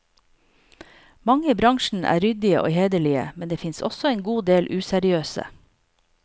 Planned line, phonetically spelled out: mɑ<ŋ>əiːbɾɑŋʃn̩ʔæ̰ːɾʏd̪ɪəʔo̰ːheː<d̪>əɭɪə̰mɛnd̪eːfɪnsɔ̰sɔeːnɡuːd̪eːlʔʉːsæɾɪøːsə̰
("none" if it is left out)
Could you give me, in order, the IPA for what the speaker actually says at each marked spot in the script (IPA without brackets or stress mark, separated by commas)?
ŋ, d̪